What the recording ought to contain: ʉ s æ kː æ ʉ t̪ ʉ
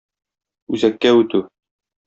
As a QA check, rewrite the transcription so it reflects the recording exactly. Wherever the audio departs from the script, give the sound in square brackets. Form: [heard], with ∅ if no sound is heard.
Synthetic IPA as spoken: ʉ [z] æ kː æ ʉ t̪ ʉ